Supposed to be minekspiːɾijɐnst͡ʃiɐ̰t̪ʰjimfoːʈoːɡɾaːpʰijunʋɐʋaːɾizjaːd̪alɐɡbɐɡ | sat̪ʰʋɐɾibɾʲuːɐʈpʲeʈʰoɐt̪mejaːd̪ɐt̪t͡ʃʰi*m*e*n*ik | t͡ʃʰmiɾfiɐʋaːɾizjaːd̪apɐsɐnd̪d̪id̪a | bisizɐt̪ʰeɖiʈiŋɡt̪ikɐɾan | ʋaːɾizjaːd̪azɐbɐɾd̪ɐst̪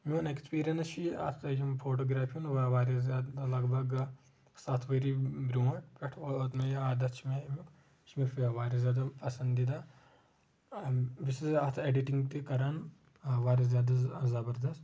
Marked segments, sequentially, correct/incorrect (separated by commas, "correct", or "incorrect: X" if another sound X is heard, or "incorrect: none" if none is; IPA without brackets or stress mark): correct, incorrect: m